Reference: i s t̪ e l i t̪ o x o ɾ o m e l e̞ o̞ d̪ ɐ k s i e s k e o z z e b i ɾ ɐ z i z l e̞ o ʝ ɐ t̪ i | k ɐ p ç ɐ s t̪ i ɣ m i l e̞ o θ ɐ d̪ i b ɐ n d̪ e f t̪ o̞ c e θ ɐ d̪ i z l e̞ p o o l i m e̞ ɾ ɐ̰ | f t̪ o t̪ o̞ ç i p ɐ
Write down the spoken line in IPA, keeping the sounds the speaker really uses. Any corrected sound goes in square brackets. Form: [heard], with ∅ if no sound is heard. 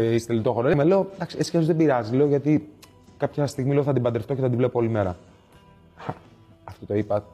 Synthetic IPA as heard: i s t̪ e l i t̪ o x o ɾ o m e l e̞ o̞ d̪ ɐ k s i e s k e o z [ð] e b i ɾ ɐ z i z l e̞ o ʝ ɐ t̪ i | k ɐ p ç ɐ s t̪ i ɣ m i l e̞ o θ ɐ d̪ i b ɐ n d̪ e f t̪ o̞ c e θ ɐ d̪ i [v] l e̞ p o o l i m e̞ ɾ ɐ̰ | f t̪ o t̪ o̞ [∅] i p ɐ